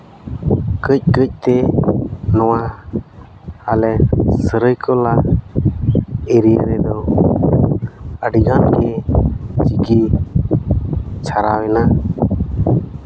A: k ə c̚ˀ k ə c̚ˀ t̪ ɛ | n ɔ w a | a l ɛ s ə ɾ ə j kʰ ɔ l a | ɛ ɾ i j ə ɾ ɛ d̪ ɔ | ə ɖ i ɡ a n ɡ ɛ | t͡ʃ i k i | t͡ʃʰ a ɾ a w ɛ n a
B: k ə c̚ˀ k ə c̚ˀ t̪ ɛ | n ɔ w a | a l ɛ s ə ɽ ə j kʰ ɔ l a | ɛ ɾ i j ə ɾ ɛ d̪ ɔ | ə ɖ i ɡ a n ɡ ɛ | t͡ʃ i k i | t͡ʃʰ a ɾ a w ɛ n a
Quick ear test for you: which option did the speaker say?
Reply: A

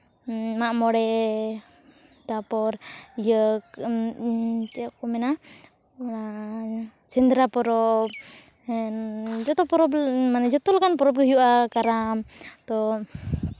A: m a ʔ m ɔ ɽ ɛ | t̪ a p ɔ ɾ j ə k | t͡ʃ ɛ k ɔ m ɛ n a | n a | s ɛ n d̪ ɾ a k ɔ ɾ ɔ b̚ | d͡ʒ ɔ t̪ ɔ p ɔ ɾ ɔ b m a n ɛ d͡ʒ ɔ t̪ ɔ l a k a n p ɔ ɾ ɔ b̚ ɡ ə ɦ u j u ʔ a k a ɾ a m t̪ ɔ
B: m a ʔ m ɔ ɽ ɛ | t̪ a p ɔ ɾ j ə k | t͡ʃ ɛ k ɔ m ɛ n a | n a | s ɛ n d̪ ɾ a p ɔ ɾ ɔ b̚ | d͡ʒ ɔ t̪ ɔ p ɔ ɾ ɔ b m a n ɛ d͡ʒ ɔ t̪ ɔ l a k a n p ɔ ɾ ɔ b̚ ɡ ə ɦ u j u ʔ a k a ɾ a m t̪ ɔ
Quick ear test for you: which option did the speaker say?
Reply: B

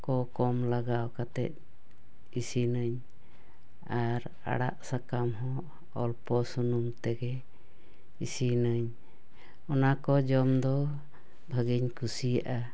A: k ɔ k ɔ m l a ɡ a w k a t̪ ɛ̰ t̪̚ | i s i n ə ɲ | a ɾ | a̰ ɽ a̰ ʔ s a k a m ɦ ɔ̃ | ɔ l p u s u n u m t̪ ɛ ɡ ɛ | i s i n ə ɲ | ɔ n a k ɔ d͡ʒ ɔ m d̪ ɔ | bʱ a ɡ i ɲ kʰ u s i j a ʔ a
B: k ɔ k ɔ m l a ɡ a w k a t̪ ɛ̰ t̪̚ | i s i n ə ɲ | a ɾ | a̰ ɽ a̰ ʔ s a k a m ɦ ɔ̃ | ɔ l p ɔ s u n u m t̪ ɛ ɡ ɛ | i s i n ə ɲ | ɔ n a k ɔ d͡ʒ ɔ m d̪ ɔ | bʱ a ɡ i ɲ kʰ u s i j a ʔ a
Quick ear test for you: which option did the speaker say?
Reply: B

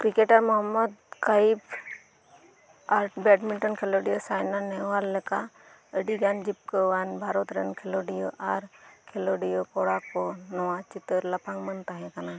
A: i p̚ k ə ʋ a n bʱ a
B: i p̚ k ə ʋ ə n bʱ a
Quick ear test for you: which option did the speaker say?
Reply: A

